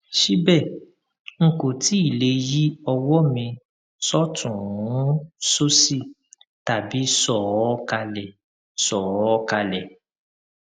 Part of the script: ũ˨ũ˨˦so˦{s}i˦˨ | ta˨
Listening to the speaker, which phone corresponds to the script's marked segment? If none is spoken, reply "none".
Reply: s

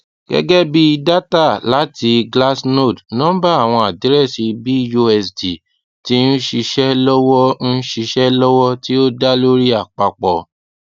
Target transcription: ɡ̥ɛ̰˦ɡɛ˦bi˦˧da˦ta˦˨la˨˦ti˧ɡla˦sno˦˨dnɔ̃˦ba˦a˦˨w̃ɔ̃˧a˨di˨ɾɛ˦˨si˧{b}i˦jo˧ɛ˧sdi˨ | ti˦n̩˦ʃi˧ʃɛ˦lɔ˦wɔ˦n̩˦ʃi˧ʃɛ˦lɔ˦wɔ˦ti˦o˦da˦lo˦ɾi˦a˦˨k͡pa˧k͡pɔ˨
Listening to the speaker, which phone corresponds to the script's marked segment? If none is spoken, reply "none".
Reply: b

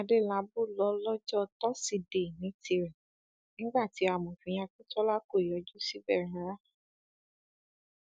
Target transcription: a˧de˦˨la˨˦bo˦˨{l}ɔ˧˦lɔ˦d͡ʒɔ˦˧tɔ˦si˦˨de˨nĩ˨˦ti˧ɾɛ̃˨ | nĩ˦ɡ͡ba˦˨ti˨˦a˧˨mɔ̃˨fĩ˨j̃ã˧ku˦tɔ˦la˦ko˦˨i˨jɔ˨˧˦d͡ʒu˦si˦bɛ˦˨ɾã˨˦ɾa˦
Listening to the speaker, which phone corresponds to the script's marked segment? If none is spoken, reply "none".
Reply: l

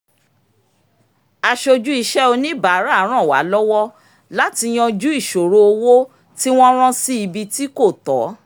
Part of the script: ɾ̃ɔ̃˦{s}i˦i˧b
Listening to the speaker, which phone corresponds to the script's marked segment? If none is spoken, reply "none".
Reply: s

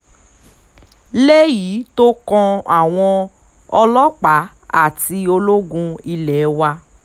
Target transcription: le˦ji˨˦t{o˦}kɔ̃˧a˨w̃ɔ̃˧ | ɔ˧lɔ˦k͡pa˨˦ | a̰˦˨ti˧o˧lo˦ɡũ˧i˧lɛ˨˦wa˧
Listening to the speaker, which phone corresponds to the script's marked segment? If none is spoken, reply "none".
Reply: o˦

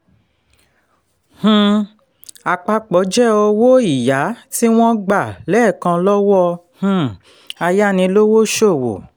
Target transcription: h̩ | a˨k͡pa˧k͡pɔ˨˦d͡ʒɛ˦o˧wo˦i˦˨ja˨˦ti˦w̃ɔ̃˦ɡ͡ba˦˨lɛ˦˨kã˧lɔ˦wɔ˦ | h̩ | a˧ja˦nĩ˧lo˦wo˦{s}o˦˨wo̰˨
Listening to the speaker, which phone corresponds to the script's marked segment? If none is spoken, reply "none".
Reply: ʃ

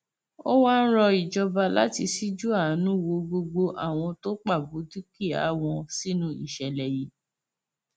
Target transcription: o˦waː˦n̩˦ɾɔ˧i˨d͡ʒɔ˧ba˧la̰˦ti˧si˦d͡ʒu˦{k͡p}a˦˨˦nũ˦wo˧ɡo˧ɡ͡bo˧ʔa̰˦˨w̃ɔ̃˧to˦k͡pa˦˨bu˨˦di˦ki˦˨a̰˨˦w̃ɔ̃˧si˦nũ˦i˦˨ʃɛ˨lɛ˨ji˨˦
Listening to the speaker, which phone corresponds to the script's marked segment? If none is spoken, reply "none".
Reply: none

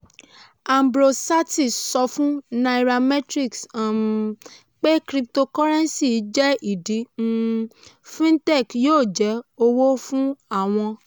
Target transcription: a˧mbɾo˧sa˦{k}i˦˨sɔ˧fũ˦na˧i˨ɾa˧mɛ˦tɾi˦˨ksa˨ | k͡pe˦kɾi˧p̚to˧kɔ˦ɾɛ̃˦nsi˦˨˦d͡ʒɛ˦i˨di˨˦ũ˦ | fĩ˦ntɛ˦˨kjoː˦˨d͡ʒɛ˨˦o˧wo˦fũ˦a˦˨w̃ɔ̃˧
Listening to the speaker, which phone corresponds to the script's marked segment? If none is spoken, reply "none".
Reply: t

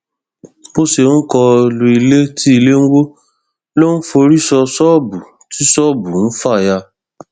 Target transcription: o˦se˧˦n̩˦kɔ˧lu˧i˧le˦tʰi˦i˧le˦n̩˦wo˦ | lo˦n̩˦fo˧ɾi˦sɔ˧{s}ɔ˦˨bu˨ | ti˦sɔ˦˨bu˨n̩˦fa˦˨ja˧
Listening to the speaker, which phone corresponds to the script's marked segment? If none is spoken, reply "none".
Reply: s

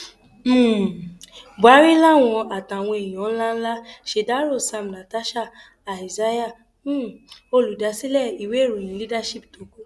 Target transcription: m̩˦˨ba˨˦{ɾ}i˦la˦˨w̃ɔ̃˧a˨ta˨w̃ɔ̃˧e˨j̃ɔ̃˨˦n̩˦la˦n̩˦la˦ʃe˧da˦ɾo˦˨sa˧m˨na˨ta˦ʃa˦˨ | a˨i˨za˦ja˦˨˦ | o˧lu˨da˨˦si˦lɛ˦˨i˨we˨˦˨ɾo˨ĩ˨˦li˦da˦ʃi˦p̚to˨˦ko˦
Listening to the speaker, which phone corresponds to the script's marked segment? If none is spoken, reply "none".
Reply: ɾ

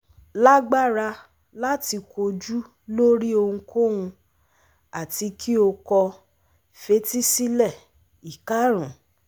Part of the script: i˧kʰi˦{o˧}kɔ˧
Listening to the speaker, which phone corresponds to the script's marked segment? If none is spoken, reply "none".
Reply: o˧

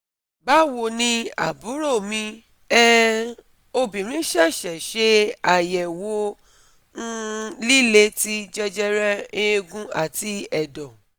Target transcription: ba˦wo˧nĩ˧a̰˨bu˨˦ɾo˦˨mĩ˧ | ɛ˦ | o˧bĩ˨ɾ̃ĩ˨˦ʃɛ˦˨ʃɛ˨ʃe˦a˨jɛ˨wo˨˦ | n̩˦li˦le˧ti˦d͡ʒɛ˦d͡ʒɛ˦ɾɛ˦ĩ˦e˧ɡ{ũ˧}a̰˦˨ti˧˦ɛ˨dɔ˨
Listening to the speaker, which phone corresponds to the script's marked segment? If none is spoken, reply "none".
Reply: ũ˧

